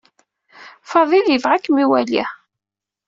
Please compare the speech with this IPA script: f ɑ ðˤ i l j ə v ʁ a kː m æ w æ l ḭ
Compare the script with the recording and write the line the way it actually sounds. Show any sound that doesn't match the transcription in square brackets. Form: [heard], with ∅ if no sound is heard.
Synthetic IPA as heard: f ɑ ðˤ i l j ə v ʁ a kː m [i] w æ l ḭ